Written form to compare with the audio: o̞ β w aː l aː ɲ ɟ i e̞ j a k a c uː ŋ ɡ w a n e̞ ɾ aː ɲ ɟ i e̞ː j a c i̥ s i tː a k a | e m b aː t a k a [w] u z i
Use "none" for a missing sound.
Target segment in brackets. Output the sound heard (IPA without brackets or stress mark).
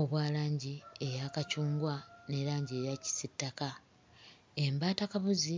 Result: β